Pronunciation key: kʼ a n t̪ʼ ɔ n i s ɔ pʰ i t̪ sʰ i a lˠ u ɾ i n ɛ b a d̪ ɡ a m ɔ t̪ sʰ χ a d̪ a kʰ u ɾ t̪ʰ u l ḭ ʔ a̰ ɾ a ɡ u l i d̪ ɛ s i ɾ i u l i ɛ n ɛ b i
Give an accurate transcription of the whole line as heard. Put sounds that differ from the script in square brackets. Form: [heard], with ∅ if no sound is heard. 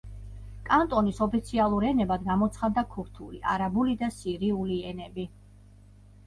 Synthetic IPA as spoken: kʼ a n t̪ʼ ɔ n i s ɔ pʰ i t̪ sʰ i a lˠ u ɾ [ɛ] n ɛ b a d̪ ɡ a m ɔ t̪ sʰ χ a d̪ a kʰ u ɾ t̪ʰ u l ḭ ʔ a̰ ɾ a [b] u l i d̪ [a] s i ɾ i u l i ɛ n ɛ b i